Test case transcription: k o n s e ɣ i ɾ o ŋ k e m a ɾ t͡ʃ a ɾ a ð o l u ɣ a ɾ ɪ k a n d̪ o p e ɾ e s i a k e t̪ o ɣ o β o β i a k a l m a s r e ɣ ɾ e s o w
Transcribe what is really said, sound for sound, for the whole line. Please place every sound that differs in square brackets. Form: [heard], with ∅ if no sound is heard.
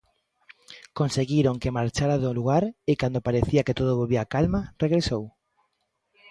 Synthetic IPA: k o n s e ɣ i ɾ o ŋ k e m a ɾ t͡ʃ a ɾ a ð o l u ɣ a ɾ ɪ k a n d̪ o p [a] ɾ e [θ] i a k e t̪ o [ð] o β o β i a k a l m a [∅] r e ɣ ɾ e s o w